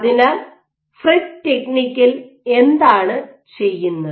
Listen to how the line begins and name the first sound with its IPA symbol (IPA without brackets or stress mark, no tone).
ð